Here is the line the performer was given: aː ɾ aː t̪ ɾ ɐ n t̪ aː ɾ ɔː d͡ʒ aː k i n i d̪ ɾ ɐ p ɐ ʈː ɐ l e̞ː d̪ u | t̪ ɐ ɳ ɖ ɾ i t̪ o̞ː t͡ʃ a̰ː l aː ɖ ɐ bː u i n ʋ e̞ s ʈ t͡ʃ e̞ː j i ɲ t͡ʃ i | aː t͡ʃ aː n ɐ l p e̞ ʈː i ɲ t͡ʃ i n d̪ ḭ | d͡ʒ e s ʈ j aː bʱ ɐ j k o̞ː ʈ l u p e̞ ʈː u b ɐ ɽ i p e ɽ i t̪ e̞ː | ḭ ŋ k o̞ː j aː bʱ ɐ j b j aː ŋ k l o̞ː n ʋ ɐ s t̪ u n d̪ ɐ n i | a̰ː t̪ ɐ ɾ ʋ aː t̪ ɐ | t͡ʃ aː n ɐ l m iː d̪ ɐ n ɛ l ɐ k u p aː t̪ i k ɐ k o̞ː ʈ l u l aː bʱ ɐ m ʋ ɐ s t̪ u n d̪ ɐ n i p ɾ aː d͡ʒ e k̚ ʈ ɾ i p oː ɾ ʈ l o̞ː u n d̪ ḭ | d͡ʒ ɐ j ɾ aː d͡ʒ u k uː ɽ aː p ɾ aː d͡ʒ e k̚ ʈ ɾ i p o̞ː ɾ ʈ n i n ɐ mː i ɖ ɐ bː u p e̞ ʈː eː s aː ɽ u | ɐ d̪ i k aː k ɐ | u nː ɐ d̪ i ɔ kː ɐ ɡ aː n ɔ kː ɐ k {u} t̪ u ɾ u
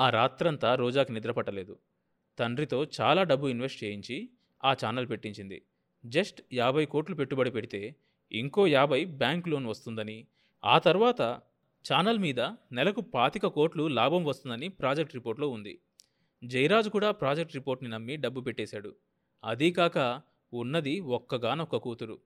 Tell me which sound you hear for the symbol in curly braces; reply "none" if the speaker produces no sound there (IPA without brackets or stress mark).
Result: uː